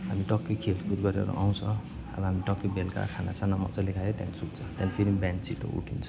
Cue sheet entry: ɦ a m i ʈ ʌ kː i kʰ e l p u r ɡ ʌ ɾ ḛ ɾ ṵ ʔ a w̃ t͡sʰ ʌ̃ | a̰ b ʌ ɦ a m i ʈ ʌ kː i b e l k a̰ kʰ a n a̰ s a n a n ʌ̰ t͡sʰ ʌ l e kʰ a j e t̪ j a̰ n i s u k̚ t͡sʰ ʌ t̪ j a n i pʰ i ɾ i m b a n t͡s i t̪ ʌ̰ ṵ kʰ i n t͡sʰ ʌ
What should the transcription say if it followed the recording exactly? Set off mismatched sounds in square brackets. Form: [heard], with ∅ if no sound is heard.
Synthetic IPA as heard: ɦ a m i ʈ ʌ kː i kʰ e l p u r ɡ ʌ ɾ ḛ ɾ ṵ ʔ a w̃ t͡sʰ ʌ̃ | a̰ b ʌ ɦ a m i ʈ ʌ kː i b e l k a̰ kʰ a n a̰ s a n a [m] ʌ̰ [t͡s] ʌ l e kʰ a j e t̪ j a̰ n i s u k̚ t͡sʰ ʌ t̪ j a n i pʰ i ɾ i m b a n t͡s i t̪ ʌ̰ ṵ [ʈʰ] i n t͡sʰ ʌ